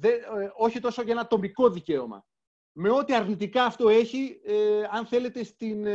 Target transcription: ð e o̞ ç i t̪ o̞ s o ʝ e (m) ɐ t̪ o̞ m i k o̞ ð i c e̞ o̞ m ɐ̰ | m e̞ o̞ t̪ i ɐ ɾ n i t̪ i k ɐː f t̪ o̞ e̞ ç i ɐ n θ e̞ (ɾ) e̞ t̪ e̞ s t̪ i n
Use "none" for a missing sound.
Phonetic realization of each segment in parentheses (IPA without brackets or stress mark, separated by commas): n, l